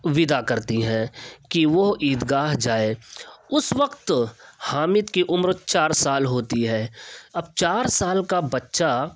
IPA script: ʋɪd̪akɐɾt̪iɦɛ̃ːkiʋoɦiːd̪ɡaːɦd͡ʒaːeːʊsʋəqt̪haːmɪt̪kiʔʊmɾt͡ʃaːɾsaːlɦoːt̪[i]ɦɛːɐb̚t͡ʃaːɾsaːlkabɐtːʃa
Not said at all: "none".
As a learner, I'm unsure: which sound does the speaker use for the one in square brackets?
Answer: i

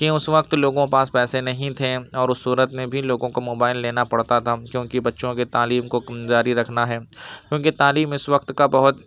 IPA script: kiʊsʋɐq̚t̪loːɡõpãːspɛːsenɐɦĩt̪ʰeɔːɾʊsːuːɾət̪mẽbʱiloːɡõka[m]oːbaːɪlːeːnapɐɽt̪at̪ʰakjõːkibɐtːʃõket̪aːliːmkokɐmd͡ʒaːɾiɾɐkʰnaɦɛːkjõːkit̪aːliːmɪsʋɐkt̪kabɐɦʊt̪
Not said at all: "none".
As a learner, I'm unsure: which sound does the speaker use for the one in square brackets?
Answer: m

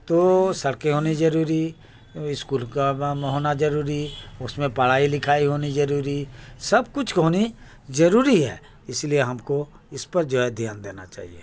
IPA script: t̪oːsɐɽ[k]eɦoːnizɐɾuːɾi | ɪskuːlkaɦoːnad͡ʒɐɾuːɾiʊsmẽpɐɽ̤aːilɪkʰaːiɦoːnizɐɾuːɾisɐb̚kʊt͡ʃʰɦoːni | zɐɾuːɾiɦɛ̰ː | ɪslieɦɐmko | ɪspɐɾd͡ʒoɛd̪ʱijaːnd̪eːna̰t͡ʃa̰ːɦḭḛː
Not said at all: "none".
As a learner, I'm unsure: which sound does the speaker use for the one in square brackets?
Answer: k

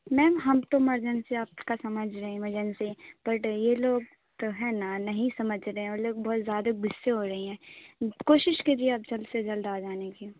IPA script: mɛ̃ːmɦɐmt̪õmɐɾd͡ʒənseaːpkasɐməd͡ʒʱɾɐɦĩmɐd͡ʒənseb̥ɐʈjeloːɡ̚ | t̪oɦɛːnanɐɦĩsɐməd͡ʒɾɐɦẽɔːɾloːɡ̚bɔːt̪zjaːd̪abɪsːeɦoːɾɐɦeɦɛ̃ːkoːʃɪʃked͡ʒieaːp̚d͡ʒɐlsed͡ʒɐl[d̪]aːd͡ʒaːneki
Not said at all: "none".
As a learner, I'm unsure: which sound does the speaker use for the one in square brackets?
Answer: d̪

